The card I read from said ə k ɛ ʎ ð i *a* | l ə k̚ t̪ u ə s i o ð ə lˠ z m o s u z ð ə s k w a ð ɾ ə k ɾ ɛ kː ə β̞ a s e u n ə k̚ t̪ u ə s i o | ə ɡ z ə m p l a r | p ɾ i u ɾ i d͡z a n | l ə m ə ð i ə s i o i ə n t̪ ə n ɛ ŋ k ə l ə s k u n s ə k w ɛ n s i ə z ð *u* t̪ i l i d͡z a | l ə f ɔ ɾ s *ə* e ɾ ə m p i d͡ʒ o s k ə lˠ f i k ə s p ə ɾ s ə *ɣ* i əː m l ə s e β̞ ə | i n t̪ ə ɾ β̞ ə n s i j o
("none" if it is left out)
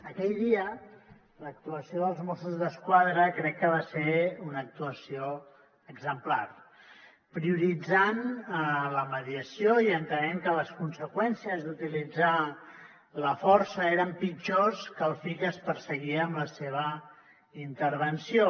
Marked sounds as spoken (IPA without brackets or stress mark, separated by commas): ə, u, ə, ɣ